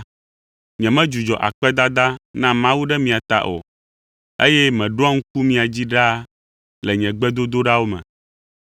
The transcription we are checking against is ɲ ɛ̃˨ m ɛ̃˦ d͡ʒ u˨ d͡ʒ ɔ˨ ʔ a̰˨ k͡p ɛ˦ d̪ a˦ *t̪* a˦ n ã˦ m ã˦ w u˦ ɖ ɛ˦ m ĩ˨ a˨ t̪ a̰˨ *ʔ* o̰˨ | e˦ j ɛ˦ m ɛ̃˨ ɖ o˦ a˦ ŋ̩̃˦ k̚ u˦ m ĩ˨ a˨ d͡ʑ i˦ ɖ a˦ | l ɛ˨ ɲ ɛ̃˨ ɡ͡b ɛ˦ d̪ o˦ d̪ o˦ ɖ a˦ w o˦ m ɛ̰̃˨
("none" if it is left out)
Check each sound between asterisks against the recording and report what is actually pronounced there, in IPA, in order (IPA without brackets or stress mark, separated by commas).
d̪, ʔ